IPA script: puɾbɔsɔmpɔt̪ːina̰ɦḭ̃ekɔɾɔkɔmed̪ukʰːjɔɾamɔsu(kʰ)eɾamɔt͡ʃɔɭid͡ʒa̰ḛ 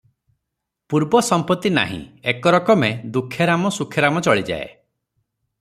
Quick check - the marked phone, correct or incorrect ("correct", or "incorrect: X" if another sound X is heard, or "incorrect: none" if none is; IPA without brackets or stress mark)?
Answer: correct